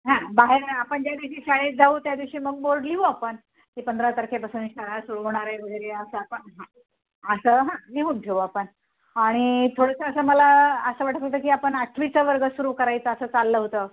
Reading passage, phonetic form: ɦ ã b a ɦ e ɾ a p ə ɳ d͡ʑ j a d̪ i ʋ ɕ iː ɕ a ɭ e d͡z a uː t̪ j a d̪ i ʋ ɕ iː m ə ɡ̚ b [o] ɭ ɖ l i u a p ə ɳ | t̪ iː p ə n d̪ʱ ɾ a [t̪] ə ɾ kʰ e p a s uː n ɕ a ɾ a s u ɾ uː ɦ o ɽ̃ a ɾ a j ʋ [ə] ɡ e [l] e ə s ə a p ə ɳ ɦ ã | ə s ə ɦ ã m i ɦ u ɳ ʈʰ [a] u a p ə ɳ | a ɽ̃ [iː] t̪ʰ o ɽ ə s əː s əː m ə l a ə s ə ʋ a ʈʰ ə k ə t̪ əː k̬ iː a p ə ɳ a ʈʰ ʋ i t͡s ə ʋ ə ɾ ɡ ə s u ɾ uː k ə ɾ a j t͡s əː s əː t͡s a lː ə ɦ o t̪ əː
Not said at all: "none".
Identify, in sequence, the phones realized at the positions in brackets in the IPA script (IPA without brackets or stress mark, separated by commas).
o, t̪, ə, ɾ, e, i